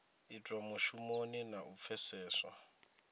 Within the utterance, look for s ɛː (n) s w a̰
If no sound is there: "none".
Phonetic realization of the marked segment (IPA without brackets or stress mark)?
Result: none